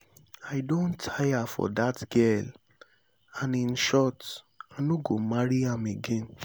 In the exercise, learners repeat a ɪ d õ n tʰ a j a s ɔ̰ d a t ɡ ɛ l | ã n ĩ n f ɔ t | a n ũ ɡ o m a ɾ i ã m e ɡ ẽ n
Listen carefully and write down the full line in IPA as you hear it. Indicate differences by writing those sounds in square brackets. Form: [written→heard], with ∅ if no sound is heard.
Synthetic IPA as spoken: a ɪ d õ n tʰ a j a [s→f] ɔ̰ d a t ɡ ɛ l | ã n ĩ n [f→ʃ] ɔ t | a n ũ ɡ o m a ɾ i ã m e ɡ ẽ n